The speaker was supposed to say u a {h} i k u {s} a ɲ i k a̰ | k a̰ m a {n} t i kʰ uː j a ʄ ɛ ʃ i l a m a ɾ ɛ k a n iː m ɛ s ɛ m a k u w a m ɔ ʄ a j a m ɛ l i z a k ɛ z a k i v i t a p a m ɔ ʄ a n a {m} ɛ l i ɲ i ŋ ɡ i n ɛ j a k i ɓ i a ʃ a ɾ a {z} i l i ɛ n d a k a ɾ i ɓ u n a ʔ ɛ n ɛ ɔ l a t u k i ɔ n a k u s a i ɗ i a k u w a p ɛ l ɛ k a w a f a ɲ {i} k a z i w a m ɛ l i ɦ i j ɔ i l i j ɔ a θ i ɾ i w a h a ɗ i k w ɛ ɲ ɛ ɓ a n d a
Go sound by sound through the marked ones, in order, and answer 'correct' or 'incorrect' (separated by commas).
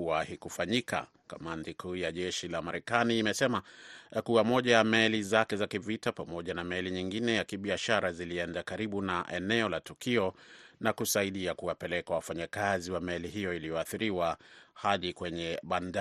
correct, incorrect, correct, correct, correct, incorrect